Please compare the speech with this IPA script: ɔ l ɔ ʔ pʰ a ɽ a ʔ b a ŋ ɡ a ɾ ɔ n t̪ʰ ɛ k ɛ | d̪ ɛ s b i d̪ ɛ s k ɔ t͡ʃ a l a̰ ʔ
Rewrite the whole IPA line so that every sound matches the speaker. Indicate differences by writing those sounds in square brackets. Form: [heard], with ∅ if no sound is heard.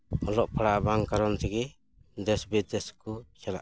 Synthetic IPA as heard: ɔ l ɔ ʔ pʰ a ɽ a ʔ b a ŋ [k] a ɾ ɔ n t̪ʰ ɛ [ɡ] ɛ | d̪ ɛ s b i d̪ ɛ s k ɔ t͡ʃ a l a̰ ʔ